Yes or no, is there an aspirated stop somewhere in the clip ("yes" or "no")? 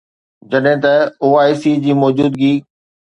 no